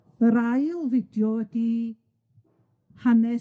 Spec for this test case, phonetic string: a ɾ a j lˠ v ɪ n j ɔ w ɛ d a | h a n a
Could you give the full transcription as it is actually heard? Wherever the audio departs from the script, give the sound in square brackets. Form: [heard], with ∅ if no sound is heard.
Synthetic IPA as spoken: [ə] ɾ a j lˠ v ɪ [d] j ɔ w ɛ d [i] | h a n [ɛ]